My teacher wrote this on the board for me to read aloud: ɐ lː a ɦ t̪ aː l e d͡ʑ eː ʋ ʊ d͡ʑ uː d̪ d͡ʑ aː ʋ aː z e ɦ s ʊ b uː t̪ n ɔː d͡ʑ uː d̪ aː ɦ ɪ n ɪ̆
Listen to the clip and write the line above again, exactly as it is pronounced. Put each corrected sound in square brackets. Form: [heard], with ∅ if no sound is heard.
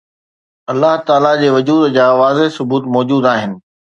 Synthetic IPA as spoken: ɐ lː a ɦ t̪ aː l [a] d͡ʑ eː ʋ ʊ d͡ʑ uː d̪ d͡ʑ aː ʋ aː z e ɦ s ʊ b uː t̪ [m] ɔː d͡ʑ uː d̪ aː ɦ ɪ n ɪ̆